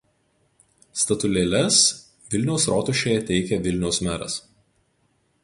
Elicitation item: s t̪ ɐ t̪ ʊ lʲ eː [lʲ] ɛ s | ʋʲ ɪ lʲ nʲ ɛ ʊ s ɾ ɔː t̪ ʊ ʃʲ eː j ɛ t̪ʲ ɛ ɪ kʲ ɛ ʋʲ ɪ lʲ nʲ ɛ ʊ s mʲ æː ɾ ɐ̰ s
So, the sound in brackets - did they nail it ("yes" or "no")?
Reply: yes